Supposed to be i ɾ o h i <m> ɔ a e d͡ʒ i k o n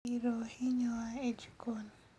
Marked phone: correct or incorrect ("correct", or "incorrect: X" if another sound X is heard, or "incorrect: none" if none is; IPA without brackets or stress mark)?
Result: incorrect: ɲ